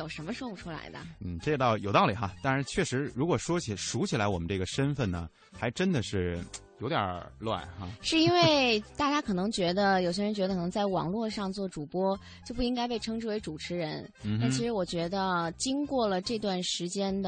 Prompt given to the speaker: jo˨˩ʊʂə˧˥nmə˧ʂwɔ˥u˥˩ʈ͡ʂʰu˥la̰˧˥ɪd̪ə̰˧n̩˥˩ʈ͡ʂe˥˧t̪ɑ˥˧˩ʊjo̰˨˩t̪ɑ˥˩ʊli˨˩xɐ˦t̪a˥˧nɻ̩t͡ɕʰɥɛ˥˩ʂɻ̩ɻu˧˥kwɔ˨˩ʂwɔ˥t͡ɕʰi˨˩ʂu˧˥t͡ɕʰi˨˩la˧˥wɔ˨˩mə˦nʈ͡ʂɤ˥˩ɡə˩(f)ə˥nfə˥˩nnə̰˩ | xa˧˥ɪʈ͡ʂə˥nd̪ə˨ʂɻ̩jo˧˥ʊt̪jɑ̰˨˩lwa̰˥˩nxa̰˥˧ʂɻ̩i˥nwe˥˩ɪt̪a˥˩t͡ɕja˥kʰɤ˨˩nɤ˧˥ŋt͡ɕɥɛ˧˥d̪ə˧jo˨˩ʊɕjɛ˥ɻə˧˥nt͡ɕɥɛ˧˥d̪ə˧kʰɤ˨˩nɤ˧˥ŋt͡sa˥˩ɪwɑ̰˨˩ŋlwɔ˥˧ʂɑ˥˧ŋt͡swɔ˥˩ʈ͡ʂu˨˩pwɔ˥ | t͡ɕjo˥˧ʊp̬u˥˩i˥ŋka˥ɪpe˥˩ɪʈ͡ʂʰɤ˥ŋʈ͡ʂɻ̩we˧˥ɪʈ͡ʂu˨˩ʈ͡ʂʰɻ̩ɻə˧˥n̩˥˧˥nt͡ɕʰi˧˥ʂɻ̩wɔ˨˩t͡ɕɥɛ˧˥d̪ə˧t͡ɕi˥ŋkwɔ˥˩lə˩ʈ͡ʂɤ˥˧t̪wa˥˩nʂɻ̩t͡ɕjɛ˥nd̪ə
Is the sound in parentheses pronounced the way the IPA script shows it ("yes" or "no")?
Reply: no